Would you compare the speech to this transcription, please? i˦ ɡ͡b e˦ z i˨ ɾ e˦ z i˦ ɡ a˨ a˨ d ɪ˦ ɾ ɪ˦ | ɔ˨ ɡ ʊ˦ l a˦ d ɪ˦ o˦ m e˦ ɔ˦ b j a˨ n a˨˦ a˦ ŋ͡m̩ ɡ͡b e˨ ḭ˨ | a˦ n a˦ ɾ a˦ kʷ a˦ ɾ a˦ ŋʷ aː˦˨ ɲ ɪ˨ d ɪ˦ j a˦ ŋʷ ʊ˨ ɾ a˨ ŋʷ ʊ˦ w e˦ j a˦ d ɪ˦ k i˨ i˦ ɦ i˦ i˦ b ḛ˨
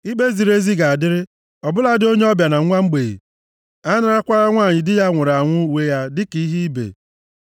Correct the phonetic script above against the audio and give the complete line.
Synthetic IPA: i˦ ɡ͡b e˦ z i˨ ɾ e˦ z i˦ ɡ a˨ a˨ d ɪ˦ ɾ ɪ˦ | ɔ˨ b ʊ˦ l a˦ d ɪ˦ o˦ ɲ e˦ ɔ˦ b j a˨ n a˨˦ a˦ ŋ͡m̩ ɡ͡b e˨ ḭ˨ | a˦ n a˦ ɾ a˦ kʷ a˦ ɾ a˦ ŋʷ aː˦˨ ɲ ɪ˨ d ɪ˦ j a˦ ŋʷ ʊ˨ ɾ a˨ ŋʷ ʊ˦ w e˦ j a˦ d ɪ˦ k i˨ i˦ ɦ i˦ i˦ b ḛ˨